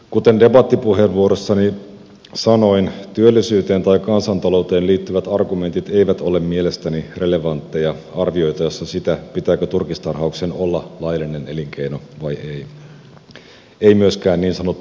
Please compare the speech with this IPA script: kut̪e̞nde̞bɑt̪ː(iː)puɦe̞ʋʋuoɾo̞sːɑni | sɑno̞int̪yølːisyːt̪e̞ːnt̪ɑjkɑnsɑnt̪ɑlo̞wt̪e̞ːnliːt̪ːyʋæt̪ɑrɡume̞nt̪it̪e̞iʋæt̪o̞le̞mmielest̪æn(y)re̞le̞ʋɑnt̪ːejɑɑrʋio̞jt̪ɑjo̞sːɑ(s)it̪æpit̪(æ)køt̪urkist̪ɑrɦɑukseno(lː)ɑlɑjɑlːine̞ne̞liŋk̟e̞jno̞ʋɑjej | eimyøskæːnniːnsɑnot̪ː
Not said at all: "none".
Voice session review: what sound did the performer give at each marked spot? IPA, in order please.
i, i, s, æː, lː

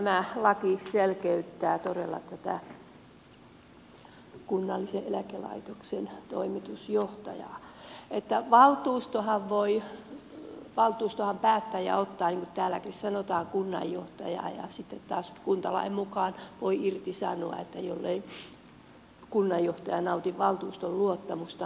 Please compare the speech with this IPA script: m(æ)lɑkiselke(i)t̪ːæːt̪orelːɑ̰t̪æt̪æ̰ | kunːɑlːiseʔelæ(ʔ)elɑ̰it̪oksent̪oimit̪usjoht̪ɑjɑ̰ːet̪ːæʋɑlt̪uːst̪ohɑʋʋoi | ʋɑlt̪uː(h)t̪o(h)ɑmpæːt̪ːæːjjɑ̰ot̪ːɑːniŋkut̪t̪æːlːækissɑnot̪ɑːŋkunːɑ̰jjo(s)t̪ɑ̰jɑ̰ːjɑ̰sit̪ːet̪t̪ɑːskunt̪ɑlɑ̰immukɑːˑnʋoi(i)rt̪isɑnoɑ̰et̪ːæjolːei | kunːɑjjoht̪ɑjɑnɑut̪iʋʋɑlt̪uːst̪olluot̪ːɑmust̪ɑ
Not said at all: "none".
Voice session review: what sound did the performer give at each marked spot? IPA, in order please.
æ, y, k, s, h, h, i

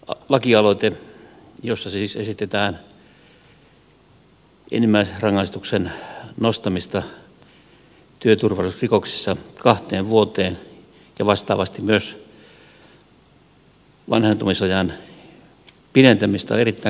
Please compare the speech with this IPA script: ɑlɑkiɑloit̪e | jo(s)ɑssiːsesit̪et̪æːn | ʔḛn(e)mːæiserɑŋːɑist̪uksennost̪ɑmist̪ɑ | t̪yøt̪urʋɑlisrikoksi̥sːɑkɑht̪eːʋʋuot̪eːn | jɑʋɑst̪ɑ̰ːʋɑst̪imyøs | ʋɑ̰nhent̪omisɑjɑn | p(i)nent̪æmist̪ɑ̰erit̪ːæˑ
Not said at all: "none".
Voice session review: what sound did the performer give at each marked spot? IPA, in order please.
sː, i, i

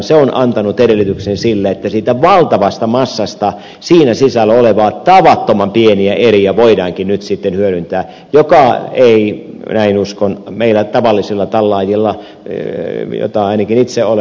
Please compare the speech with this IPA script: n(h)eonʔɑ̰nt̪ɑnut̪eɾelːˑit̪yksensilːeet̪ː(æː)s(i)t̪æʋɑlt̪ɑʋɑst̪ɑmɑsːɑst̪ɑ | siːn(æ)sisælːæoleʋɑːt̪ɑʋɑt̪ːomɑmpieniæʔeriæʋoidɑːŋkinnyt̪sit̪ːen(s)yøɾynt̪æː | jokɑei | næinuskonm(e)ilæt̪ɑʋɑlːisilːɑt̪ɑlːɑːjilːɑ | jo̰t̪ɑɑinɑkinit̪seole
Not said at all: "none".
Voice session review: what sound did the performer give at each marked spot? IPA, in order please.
s, æ, iː, æ, h, e

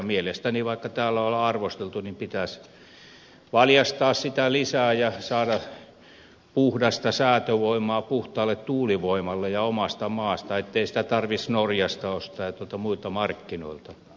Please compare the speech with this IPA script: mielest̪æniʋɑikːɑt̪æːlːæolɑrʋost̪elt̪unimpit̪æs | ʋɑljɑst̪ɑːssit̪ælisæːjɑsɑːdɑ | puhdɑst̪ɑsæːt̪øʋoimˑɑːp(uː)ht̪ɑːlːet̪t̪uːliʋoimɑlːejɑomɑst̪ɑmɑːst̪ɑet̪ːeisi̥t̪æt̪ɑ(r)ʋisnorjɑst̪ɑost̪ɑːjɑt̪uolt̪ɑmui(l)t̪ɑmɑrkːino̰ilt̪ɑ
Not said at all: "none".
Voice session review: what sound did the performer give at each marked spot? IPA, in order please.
u, r, l

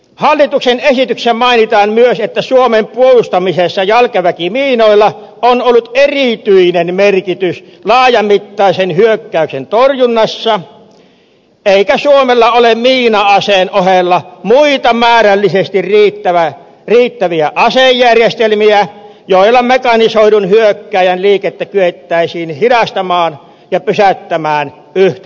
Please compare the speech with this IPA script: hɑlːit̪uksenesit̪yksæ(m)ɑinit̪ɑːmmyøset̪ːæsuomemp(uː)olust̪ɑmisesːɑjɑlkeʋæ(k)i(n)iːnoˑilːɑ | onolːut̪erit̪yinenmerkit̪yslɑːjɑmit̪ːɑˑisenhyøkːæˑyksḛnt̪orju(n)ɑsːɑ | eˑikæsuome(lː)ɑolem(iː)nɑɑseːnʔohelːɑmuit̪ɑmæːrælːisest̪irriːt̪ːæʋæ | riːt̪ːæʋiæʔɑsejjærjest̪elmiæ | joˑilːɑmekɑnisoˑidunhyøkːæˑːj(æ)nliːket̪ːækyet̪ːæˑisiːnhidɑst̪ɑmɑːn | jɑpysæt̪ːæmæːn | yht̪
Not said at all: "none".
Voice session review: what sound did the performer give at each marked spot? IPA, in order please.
m, u, k, m, nː, lː, iː, æ

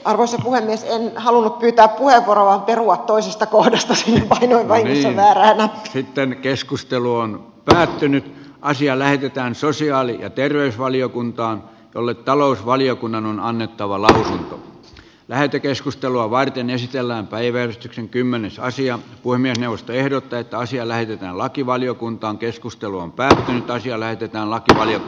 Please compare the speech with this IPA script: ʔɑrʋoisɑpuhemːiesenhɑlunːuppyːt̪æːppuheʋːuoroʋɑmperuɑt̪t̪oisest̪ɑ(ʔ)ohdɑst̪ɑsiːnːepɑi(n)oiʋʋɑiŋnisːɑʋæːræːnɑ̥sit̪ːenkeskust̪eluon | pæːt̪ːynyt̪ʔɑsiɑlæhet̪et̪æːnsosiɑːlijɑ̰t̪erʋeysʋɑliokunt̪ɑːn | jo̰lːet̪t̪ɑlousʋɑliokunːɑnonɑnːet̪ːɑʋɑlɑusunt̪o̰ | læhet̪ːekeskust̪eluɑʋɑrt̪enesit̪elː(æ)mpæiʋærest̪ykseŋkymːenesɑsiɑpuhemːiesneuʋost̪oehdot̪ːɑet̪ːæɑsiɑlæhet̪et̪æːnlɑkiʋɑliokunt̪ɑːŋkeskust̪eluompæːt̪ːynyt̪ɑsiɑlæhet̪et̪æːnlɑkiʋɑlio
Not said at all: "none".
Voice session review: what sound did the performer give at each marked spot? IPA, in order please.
k, n, æː

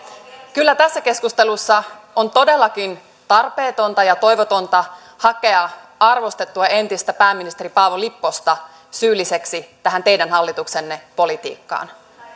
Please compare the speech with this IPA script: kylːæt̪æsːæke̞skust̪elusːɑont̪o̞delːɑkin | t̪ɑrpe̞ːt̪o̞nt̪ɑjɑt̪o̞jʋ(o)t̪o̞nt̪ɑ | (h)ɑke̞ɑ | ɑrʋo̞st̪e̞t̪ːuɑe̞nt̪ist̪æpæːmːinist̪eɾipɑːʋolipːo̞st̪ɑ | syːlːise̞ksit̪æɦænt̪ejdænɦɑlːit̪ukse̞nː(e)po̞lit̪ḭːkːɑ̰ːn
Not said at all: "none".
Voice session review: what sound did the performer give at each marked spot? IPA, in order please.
o, h, e

